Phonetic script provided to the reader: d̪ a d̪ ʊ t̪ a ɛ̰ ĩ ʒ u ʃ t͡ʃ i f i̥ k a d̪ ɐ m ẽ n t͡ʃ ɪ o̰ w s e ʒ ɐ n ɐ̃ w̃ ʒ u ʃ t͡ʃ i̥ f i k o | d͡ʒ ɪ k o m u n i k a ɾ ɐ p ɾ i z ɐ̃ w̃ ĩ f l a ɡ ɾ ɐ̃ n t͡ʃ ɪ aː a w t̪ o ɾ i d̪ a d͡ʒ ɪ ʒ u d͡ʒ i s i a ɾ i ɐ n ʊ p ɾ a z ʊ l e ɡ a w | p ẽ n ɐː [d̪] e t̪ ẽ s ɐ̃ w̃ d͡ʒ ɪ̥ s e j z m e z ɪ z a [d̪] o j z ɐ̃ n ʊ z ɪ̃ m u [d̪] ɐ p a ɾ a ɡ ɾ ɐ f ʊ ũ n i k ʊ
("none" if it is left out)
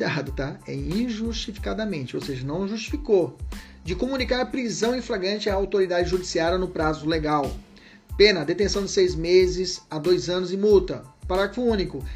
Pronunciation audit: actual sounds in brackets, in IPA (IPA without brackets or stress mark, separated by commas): d̪, d̪, t̪